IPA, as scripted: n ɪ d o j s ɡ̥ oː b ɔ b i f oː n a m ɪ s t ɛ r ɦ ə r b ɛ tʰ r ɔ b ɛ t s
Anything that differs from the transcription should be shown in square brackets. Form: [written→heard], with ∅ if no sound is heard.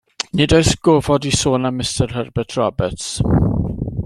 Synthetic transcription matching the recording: n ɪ d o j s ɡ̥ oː [b→v] ɔ [b→d] i [f→s] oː n a m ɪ s t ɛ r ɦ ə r b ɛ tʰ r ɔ b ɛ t s

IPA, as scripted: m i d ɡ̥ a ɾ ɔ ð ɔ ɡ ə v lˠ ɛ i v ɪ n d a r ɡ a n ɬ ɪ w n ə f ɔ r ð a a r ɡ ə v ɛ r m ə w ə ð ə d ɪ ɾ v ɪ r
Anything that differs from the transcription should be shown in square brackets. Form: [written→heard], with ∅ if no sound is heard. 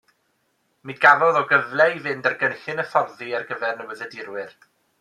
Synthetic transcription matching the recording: m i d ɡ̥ a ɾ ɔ ð ɔ ɡ ə v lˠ ɛ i v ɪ n d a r ɡ [a→ə] n ɬ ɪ [w→∅] n ə f ɔ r ð [a→i] a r ɡ ə v ɛ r [m→n] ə w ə ð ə d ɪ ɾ [v→w] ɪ r

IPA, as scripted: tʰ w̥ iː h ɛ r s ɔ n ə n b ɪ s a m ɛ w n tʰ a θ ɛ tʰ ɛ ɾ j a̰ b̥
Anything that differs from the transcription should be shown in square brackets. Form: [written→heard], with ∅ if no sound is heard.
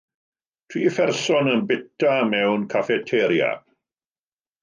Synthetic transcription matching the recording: tʰ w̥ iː [h→f] ɛ r s ɔ n ə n b ɪ [s→t] a m ɛ w n [tʰ→kʰ] a [θ→f] ɛ tʰ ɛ ɾ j a̰ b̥

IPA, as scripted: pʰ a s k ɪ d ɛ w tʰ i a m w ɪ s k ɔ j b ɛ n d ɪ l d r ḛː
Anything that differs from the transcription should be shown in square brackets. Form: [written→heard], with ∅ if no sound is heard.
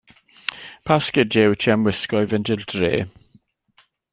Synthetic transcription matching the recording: pʰ a s k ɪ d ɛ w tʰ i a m w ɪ s k ɔ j [b→v] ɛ n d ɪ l d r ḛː

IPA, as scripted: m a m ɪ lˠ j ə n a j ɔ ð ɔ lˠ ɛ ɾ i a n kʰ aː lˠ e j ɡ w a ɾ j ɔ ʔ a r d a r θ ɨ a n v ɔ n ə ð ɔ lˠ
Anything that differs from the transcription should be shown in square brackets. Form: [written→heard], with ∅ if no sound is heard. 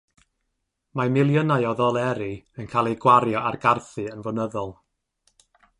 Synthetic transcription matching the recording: m a m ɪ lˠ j ə n a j ɔ ð ɔ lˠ ɛ ɾ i [a→ə] n kʰ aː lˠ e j ɡ w a ɾ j ɔ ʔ a r [d→ɡ] a r θ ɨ [a→ə] n v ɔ n ə ð ɔ lˠ

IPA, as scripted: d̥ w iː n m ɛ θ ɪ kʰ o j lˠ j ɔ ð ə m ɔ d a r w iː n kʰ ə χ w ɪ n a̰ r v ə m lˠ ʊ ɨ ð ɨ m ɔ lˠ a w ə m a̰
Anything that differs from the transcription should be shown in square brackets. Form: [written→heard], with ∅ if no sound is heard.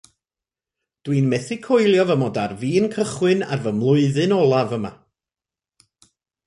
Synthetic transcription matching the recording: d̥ w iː n m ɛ θ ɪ kʰ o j lˠ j ɔ [ð→v] ə m ɔ d a r [w→v] iː n kʰ ə χ w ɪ n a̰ r v ə m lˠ ʊ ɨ ð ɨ [m→n] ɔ lˠ a [w→v] ə m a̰

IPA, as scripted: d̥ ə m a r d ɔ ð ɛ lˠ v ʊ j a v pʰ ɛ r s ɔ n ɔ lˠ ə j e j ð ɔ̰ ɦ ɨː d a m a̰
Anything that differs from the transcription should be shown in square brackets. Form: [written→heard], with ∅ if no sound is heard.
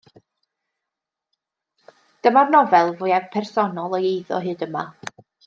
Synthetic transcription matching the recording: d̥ ə m a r [d→n] ɔ [ð→v] ɛ lˠ v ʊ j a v pʰ ɛ r s ɔ n ɔ lˠ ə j e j ð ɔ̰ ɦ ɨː d [a→ə] m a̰

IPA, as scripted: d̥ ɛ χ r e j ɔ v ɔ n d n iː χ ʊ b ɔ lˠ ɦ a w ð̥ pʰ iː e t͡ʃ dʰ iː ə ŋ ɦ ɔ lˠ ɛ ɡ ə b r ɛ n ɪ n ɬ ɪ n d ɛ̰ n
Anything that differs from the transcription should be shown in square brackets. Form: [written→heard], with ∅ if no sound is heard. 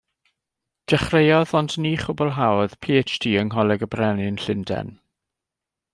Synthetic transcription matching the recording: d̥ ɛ χ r e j ɔ [v→ð] ɔ n d n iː χ ʊ b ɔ lˠ ɦ a w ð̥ pʰ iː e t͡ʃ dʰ iː ə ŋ ɦ ɔ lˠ ɛ ɡ ə b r ɛ n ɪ n ɬ ɪ n d ɛ̰ n

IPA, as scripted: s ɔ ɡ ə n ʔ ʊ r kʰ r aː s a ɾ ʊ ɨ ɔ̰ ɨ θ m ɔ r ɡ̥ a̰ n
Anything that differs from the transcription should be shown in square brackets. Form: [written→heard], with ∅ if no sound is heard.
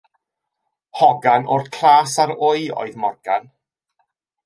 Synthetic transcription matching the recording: [s→h] ɔ ɡ [ə→a] n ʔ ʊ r kʰ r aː s a ɾ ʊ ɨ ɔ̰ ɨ [θ→ð] m ɔ r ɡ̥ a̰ n

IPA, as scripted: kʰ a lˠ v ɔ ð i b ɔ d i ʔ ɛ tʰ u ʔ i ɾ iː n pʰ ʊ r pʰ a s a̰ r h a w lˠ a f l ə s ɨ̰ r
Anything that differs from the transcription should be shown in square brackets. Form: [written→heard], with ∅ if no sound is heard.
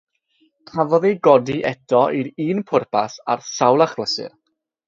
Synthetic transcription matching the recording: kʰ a [lˠ→∅] v ɔ ð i [b→ɡ] ɔ d i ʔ ɛ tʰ [u→ɔ] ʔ i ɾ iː n pʰ ʊ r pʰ a s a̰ r [h→s] a w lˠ a [f→χ] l ə s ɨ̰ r

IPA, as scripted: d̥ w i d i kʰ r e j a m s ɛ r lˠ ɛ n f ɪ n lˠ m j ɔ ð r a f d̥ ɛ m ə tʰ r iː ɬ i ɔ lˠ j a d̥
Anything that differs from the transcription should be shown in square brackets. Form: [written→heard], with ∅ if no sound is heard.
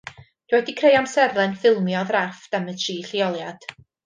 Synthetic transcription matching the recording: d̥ w [i→ɛ] d i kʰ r e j a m s ɛ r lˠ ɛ n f ɪ [n→∅] lˠ m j ɔ ð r a f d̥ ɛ m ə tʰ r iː ɬ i ɔ lˠ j a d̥

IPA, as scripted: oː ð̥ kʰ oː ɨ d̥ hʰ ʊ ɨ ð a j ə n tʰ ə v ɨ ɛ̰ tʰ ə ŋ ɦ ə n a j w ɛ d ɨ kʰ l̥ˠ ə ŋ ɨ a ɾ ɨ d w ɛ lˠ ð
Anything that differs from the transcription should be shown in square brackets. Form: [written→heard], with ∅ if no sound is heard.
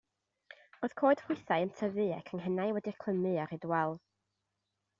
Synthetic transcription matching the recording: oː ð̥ kʰ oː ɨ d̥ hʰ ʊ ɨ [ð→θ] a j ə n tʰ ə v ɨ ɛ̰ [tʰ→kʰ] ə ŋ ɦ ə n a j w ɛ d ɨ kʰ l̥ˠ ə [ŋ→m] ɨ a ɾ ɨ d w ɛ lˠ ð

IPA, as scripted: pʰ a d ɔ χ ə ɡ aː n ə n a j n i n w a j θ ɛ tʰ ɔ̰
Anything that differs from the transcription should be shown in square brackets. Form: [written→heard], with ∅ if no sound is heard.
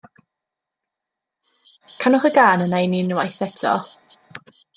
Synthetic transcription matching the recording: [pʰ→kʰ] a [d→n] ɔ χ ə ɡ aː n ə n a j n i n w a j θ ɛ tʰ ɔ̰

